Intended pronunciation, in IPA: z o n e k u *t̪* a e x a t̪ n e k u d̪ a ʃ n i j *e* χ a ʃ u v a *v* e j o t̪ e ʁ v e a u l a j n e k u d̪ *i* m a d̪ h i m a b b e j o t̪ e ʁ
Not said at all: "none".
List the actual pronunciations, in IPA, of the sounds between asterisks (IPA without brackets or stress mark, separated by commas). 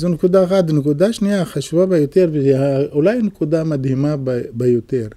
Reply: d̪, a, b, a